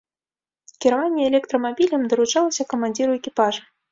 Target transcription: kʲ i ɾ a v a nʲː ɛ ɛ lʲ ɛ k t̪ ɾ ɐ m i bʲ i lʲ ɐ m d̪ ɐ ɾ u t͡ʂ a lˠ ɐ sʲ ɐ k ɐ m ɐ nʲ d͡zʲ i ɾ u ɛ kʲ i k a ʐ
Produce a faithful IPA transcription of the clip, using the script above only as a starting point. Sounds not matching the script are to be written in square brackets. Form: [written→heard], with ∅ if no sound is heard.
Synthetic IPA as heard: kʲ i ɾ a v a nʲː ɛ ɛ lʲ ɛ k t̪ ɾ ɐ m [i→a] bʲ i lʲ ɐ m d̪ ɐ ɾ u t͡ʂ a lˠ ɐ sʲ ɐ k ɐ m [ɐ→a] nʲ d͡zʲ i ɾ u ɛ kʲ i [k→p] a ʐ